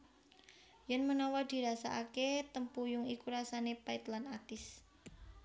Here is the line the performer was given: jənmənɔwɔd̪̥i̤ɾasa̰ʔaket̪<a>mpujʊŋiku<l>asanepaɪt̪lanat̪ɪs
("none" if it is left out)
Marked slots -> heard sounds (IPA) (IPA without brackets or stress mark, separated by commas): ə, ɾ